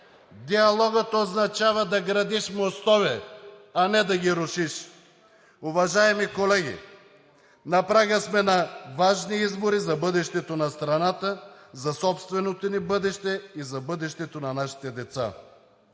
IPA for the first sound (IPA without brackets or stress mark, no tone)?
d̪